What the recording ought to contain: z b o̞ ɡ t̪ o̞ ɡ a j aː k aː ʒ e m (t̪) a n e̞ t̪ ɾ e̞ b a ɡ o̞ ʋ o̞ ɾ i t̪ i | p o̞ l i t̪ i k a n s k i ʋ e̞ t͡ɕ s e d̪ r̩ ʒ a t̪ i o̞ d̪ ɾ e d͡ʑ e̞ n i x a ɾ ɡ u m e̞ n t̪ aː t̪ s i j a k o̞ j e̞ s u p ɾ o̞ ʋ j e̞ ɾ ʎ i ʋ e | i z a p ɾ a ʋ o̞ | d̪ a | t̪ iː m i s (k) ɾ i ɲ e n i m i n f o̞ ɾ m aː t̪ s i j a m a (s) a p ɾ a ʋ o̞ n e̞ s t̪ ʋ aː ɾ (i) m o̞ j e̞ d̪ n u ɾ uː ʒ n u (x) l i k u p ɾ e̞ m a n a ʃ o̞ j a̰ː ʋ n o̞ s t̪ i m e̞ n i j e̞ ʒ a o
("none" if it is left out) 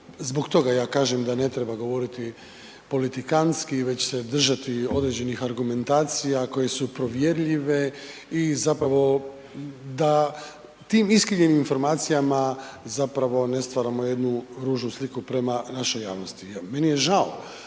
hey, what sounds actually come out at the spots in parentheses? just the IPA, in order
d̪, k, z, a, s

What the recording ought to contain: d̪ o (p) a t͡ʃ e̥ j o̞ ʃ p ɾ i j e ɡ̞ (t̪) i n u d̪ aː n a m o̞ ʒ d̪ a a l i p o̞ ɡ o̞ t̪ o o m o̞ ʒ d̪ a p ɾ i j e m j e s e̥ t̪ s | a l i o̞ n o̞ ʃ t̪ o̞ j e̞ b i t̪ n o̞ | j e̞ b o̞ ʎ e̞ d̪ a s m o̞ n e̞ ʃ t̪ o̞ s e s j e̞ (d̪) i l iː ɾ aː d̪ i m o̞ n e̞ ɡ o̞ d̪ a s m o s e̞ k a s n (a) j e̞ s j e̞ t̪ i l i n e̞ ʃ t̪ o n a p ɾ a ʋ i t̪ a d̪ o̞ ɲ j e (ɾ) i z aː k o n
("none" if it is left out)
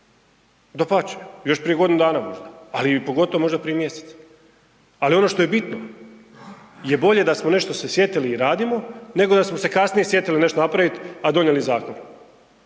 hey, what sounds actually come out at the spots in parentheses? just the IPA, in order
p, d̪, t̪, i, l

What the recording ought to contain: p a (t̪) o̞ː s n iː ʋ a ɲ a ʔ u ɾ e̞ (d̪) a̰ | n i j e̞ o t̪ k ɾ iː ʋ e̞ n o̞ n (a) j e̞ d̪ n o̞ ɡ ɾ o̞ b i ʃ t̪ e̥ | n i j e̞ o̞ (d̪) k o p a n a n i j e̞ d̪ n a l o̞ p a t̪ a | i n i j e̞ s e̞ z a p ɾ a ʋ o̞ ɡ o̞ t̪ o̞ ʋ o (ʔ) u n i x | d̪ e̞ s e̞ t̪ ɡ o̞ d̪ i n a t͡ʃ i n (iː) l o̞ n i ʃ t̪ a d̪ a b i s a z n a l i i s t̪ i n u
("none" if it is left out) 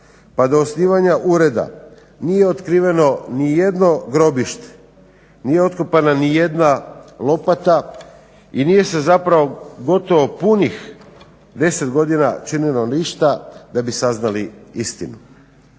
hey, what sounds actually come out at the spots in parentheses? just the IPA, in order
d̪, d̪, i, t̪, p, i

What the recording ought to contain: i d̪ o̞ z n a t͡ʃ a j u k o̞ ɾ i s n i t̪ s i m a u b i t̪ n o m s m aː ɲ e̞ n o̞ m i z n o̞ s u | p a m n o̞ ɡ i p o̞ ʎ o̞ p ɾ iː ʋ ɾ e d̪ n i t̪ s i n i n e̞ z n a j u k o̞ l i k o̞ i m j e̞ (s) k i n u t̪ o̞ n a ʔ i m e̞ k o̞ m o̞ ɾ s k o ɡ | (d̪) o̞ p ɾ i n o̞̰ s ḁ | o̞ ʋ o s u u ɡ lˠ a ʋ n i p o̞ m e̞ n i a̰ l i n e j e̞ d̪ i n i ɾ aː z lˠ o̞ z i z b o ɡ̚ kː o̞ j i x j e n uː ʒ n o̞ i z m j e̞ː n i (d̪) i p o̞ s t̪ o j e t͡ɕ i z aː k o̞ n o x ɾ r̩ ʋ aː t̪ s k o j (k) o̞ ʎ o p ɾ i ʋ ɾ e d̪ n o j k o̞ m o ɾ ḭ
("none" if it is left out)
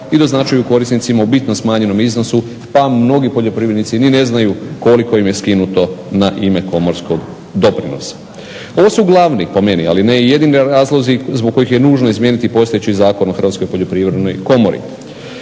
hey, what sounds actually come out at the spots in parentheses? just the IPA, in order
s, d̪, t̪, p

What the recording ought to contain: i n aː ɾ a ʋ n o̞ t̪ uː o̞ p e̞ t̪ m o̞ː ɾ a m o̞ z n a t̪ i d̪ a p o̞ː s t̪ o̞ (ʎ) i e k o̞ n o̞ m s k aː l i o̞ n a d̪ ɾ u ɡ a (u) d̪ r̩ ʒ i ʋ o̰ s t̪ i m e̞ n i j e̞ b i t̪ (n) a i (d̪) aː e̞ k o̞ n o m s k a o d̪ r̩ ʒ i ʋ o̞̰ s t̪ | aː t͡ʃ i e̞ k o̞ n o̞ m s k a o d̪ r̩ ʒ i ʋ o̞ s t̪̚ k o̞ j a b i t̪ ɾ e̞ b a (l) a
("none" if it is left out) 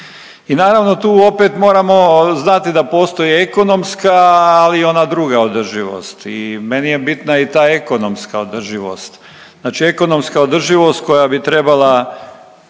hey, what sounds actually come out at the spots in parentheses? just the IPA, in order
j, o, n, t̪, l

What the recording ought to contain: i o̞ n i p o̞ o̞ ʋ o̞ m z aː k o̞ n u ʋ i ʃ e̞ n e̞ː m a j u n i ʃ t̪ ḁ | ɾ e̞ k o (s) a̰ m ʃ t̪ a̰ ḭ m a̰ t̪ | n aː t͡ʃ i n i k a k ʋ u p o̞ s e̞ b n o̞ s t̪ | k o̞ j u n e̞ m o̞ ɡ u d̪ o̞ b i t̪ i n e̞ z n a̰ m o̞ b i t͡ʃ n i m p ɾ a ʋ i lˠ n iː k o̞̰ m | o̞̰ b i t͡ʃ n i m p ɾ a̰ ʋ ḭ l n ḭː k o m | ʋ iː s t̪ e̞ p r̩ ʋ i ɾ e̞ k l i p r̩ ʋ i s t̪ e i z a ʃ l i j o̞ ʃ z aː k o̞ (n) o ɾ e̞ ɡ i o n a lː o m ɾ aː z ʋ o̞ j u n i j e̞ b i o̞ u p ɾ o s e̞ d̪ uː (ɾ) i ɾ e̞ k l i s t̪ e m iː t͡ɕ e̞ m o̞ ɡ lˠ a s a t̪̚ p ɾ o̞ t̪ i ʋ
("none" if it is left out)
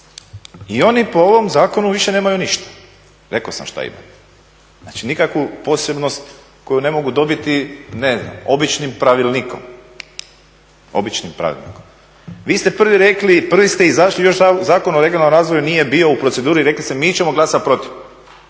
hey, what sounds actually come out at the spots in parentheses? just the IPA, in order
s, n, ɾ

